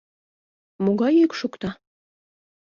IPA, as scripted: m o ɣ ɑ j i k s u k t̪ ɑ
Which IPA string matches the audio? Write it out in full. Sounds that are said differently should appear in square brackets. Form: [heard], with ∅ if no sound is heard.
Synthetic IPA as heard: m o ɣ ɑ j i k [ʃ] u k t̪ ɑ